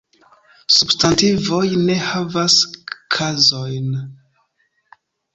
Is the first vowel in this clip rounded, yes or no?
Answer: yes